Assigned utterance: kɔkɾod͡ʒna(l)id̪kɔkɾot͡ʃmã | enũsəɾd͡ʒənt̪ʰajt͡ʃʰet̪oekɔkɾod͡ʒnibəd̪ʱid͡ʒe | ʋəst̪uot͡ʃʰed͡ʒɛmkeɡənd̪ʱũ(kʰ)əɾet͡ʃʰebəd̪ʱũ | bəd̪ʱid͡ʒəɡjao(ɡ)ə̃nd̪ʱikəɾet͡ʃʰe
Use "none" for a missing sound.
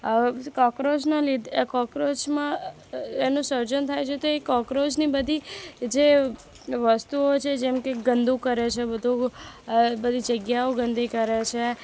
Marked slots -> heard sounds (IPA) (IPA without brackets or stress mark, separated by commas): l, k, ɡ